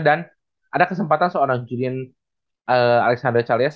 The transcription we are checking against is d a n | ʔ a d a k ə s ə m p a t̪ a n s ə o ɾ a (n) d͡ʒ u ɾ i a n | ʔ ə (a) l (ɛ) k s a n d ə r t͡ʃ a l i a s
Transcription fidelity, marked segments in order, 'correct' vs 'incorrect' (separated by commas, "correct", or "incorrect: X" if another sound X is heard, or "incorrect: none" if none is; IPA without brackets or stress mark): incorrect: ŋ, correct, correct